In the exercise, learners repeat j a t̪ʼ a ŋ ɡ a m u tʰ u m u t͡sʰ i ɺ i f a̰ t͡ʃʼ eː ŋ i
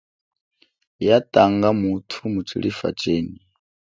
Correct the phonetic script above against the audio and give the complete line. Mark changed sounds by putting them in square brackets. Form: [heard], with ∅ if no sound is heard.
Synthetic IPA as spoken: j a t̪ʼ a ŋ ɡ a m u tʰ u m u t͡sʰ i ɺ i f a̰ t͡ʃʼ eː [n] i

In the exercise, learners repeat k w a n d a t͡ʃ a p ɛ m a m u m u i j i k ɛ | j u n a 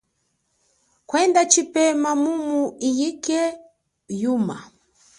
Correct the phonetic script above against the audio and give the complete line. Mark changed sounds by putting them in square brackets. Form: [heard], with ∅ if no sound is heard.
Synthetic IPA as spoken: k w [ɛ] n d a t͡ʃ [i] p ɛ m a m u m u i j i k ɛ | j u [m] a

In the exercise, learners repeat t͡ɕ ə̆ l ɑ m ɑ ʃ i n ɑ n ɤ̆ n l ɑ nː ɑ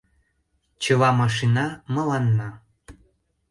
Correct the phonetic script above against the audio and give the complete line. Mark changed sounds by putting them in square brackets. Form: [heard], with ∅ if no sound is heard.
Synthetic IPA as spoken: t͡ɕ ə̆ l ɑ m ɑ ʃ i n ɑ [m] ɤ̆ [∅] l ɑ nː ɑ

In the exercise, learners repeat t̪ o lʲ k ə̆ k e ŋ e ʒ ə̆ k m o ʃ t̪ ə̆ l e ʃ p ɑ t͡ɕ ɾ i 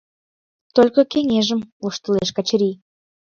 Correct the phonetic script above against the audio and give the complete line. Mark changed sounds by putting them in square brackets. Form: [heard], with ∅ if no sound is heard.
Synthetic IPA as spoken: t̪ o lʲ k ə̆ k e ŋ e ʒ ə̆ [∅] m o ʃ t̪ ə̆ l e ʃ [k] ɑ t͡ɕ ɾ i

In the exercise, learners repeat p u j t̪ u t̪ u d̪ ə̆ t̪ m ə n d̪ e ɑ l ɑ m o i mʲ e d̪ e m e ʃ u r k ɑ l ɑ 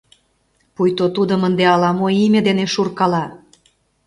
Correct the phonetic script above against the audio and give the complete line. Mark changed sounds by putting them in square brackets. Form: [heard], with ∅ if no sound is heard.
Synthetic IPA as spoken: p u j t̪ [o] t̪ u d̪ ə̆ [∅] m ə n d̪ e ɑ l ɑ m o i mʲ e d̪ e [n] e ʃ u r k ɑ l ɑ

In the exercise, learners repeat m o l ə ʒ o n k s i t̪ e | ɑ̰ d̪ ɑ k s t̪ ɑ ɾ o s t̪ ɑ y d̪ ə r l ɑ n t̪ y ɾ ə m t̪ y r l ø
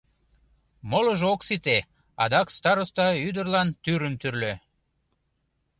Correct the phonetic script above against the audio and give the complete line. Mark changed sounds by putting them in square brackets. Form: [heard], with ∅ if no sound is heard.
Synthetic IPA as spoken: m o l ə ʒ o [∅] k s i t̪ e | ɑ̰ d̪ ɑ k s t̪ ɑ ɾ o s t̪ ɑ y d̪ ə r l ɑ n t̪ y ɾ ə m t̪ y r l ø

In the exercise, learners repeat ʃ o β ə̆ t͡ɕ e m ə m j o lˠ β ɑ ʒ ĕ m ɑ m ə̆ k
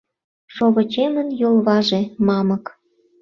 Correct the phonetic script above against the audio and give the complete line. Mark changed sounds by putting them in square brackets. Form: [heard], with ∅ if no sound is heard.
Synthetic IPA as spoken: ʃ o β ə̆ t͡ɕ e m ə [n] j o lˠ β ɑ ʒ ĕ m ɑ m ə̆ k

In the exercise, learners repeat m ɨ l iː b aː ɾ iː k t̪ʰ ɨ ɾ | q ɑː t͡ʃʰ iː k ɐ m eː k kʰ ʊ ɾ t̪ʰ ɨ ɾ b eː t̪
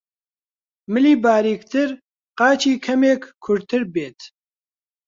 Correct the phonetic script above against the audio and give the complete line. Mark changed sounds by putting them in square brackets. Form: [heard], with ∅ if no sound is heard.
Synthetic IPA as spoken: m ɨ l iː b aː ɾ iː k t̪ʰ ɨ ɾ | q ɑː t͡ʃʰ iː [kʰ] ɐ m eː k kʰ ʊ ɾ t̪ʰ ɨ ɾ b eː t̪

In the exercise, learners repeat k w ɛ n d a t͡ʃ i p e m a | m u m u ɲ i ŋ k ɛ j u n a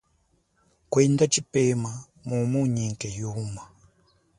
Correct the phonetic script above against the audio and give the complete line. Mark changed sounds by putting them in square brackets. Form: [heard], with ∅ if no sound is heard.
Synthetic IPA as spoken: k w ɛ n d a t͡ʃ i p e m a | m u m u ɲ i ŋ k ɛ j u [m] a

